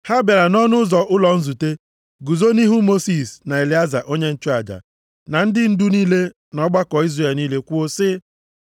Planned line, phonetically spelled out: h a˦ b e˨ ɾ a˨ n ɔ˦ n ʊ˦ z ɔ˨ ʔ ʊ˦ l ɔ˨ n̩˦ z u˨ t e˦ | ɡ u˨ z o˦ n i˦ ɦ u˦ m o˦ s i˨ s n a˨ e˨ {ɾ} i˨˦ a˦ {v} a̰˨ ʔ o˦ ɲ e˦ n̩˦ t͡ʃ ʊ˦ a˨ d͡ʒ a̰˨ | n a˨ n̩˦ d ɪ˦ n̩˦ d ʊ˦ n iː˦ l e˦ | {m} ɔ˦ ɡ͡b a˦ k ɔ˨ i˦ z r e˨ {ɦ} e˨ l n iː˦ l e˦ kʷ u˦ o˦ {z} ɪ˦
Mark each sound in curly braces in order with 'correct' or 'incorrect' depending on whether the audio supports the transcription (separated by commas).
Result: incorrect, incorrect, incorrect, incorrect, incorrect